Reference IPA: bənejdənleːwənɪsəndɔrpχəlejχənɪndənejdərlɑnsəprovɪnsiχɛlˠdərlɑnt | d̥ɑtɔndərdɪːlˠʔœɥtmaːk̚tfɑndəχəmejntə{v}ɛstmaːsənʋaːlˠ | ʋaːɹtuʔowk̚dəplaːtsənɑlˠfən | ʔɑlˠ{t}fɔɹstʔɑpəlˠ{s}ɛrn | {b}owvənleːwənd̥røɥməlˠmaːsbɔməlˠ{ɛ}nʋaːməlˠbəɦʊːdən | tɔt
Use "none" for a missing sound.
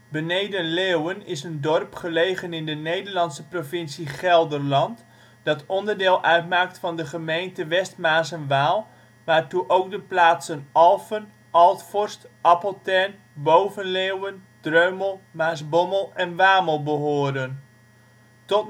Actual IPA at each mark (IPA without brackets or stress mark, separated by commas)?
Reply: ʋ, t, t, b, ɛ